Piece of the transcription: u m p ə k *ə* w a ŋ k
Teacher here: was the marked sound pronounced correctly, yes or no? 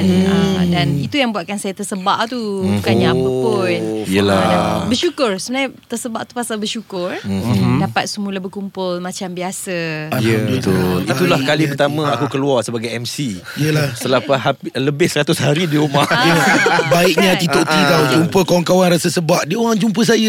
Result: no